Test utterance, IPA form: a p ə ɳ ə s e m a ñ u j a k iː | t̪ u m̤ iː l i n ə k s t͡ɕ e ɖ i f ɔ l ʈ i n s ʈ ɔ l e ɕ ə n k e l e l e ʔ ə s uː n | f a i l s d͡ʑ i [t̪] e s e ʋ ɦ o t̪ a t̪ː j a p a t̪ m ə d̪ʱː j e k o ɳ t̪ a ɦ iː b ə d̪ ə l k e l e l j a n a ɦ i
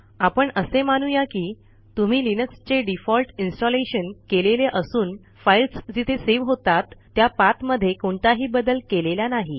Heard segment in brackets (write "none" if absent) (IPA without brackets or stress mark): t̪ʰ